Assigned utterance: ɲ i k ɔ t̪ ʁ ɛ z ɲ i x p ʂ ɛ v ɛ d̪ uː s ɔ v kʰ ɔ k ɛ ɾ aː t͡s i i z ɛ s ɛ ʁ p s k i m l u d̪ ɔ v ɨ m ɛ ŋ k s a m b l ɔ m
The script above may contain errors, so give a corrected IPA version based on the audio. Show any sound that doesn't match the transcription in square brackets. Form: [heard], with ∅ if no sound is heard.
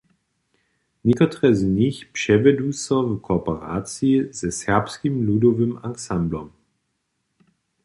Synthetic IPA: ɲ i k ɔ t̪ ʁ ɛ z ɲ i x p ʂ ɛ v ɛ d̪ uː s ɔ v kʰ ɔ [p] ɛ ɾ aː t͡s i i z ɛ s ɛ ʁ p s k i m l u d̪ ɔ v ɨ m [a] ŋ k s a m b l ɔ m